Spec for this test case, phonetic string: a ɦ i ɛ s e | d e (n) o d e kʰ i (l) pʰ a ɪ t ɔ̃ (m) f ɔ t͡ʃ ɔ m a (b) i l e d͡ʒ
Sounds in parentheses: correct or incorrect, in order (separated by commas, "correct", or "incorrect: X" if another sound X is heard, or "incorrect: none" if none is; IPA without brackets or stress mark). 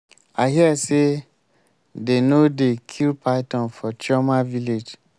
correct, correct, incorrect: n, incorrect: v